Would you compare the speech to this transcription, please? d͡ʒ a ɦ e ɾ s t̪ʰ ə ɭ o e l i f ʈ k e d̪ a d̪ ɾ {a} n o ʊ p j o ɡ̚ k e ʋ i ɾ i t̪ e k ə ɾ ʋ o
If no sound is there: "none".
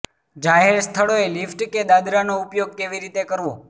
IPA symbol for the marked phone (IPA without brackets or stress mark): a